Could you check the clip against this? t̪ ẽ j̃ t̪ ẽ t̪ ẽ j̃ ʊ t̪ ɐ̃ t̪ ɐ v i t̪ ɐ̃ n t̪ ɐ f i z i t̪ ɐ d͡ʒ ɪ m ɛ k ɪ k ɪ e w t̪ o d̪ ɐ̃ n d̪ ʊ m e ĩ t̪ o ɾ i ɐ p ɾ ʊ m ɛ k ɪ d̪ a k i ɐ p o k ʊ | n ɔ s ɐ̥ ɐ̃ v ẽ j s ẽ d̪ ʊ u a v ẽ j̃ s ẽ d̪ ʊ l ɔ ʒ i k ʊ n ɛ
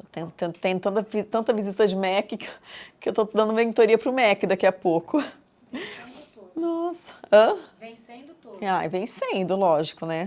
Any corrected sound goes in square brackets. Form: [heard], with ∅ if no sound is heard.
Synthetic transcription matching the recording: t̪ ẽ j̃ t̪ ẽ t̪ ẽ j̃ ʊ t̪ ɐ̃ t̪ ɐ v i t̪ ɐ̃ n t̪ ɐ [v] i z i t̪ ɐ d͡ʒ ɪ m ɛ k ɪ k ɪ e w t̪ o d̪ ɐ̃ n d̪ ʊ m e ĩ t̪ o ɾ i ɐ p ɾ ʊ m ɛ k ɪ d̪ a k i ɐ p o k ʊ | n ɔ s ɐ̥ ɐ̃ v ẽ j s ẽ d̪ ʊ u a v ẽ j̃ s ẽ d̪ ʊ l ɔ ʒ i k ʊ n ɛ